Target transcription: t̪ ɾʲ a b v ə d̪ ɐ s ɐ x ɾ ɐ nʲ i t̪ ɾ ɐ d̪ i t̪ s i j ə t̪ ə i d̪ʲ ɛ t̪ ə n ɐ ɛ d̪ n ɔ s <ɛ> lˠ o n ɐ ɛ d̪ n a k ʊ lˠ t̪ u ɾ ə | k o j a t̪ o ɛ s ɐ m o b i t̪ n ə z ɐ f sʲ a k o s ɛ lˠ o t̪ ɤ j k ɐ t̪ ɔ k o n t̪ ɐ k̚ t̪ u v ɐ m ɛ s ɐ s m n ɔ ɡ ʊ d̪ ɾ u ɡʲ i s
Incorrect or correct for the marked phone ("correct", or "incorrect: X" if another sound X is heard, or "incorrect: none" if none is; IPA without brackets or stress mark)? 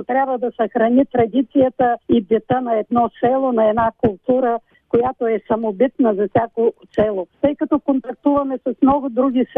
correct